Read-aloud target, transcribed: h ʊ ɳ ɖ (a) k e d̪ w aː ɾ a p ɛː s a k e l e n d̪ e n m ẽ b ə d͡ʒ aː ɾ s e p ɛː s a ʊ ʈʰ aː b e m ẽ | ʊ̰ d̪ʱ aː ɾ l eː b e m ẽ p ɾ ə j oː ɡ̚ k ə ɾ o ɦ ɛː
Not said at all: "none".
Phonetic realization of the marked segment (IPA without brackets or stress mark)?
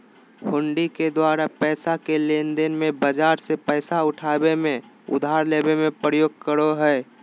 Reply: i